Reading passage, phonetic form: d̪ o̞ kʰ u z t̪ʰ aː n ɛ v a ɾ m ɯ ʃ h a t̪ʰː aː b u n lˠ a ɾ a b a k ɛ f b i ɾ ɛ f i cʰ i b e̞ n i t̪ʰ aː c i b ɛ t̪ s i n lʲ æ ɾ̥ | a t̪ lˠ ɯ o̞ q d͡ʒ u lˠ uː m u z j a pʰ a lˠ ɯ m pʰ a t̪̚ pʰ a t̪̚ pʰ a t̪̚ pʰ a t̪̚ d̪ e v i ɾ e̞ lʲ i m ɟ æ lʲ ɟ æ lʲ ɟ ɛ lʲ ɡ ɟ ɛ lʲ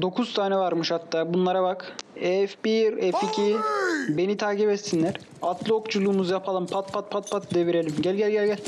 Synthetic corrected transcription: d̪ o̞ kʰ u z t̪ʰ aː n ɛ v a ɾ m ɯ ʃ h a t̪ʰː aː b u n lˠ a ɾ a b a k ɛ f b i ɾ ɛ f i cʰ i b e̞ n i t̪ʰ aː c i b ɛ t̪ s i n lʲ æ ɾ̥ | a t̪ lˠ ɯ o̞ k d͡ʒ u lˠ uː m u z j a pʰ a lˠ ɯ m pʰ a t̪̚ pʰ a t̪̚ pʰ a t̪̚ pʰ a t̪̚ d̪ e v i ɾ e̞ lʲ i m ɟ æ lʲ ɟ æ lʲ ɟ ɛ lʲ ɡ ɟ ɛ lʲ